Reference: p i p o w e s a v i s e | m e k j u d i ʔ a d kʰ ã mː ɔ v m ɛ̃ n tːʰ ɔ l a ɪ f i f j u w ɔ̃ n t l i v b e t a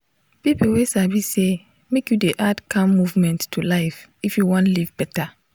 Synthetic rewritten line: p i p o w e s a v i s e | m e k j u d e ʔ a d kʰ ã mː u v m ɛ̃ n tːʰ u l a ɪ f i f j u w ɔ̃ n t l i v b ɛ t a